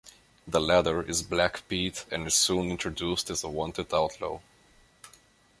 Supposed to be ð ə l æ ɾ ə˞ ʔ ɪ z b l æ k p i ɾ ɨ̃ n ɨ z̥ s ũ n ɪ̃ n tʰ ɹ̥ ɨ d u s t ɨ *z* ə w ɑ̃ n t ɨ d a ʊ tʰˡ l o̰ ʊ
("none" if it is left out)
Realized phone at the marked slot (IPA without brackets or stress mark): z